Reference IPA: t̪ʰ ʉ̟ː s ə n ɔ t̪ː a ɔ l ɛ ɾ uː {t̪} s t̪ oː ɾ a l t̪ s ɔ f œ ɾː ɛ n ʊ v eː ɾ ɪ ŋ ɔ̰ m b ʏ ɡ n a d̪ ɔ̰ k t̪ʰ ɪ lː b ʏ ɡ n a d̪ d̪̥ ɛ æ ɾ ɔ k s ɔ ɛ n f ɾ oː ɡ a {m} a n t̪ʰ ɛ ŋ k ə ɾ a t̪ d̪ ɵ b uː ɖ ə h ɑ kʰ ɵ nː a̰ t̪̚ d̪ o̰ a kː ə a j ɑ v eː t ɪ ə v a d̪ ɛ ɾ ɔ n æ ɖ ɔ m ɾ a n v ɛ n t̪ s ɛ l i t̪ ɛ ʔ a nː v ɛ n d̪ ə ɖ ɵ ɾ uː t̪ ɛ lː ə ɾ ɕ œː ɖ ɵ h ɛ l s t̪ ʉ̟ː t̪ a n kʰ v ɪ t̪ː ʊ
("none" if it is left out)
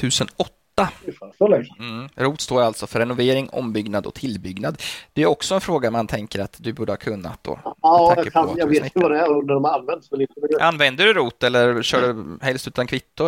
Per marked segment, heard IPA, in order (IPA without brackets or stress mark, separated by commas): t̪, m